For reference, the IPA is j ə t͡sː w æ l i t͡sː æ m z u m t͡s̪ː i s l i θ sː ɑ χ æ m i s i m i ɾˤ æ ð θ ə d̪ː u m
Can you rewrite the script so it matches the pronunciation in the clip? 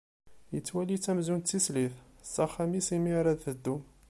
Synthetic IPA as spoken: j ə t͡sː w æ l i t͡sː æ m z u n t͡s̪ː i s l i θ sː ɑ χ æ m i s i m i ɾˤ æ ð θ ə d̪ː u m